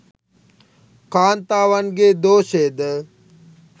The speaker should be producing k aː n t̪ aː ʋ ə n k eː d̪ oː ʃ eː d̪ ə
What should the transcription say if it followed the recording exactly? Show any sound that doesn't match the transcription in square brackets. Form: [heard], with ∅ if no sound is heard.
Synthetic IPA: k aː n t̪ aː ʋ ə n [ɡ] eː d̪ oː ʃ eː d̪ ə